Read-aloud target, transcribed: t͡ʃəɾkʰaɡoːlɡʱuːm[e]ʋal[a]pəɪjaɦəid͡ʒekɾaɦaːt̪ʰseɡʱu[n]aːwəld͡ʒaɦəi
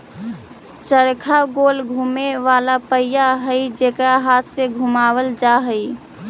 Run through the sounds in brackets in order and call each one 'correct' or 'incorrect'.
correct, correct, incorrect

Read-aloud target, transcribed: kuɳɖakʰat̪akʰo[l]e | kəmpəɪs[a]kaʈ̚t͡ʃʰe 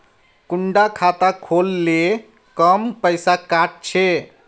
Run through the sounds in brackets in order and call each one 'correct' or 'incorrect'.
incorrect, correct

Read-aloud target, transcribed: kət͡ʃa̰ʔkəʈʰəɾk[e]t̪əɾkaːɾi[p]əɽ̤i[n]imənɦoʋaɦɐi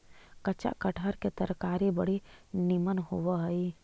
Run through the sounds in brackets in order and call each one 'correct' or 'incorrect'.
correct, incorrect, correct

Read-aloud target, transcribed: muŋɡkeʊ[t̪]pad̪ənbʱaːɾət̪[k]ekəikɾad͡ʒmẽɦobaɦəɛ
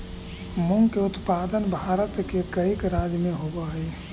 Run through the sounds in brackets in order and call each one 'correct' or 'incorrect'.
correct, correct

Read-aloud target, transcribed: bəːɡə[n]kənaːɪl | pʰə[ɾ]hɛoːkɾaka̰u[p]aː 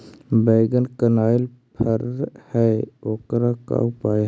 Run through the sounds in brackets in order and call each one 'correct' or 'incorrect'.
correct, correct, correct

